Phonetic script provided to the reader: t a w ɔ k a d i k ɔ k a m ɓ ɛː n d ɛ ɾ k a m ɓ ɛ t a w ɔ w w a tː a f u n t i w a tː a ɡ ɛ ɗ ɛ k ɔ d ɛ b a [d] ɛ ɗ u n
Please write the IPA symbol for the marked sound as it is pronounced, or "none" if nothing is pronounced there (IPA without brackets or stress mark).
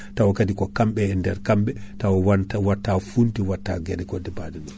d